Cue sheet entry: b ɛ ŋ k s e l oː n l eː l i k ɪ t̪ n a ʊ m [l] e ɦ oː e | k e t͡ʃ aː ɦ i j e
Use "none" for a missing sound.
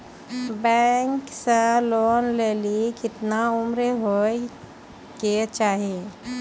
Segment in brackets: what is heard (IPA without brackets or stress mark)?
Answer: ɾ